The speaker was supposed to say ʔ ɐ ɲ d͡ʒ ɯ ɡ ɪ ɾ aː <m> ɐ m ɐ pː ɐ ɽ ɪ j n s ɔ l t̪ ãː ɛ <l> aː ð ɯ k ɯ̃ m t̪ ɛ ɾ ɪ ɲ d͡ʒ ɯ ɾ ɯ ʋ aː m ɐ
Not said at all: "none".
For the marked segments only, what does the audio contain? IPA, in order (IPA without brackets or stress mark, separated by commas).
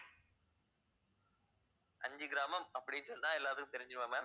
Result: m, lː